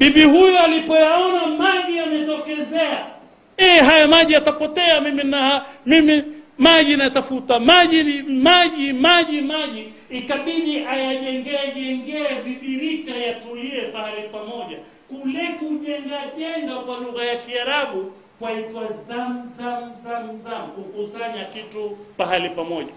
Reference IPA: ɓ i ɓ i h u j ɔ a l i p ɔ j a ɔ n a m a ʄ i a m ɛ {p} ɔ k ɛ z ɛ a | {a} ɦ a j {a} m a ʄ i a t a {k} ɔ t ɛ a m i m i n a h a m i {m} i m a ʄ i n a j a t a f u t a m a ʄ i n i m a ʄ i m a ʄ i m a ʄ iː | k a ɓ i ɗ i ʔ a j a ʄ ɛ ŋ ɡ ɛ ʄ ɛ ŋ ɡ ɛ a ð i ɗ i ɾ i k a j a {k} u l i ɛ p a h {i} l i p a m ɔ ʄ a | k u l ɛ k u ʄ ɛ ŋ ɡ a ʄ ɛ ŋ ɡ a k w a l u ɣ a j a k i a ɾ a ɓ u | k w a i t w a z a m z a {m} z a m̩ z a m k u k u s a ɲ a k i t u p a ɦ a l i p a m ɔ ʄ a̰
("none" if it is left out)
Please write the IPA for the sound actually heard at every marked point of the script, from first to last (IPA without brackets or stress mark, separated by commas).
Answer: t, ɛ, a, p, m, t, a, m